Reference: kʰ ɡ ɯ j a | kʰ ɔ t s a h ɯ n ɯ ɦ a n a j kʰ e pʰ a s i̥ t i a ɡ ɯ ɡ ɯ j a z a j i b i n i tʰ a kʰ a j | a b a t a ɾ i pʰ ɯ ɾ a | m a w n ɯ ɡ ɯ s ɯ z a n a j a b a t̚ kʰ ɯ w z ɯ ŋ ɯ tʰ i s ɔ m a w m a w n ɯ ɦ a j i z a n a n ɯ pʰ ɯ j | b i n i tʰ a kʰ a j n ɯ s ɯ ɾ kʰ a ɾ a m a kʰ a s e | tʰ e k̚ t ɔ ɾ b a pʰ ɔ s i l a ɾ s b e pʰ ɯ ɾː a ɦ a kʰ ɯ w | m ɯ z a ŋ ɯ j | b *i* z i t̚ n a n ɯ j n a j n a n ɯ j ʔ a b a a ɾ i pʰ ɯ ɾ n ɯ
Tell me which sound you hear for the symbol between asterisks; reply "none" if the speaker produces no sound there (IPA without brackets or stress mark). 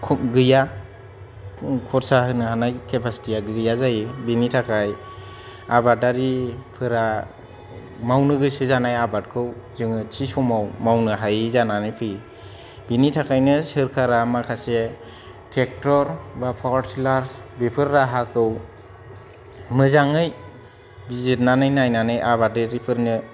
i